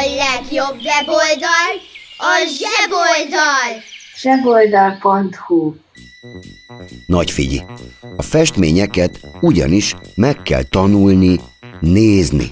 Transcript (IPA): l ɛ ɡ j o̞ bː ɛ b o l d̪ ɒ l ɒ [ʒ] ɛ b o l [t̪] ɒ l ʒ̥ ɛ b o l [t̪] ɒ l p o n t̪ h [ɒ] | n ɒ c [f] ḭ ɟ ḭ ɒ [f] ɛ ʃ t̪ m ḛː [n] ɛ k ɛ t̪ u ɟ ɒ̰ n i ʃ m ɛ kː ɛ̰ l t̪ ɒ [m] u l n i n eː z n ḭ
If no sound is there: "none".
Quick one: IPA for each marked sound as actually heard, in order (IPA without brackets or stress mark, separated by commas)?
ʒ, d̪, d̪, u, f, f, ɲ, n